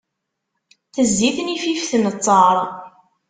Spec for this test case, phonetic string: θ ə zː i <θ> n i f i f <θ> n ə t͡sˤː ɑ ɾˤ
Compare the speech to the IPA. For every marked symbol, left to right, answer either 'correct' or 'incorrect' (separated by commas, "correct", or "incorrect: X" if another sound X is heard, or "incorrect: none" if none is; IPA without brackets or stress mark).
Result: correct, correct